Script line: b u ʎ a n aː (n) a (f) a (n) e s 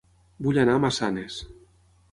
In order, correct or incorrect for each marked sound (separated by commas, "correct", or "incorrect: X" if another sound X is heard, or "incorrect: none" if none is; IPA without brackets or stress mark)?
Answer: incorrect: m, incorrect: s, correct